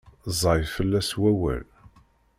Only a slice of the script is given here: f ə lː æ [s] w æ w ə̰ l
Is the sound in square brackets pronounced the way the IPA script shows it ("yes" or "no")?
yes